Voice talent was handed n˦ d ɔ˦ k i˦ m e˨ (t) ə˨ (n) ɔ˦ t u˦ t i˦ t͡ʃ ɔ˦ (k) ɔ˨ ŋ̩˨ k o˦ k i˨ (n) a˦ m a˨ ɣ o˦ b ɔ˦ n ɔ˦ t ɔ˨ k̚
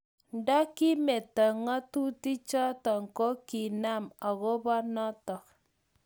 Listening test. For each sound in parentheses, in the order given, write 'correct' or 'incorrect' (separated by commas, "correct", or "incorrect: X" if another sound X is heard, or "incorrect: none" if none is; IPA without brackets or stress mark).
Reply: correct, incorrect: ŋ, incorrect: t, correct